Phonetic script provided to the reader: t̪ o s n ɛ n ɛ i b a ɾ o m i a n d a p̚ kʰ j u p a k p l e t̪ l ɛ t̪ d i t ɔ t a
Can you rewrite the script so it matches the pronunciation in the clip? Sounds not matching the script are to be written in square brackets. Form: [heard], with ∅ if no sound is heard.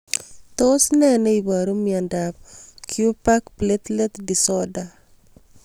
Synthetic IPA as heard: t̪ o s n ɛ n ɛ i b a ɾ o m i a n d a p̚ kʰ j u p a k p l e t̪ l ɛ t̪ d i [s] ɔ [d] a